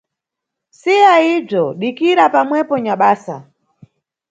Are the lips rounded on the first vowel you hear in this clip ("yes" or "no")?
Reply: no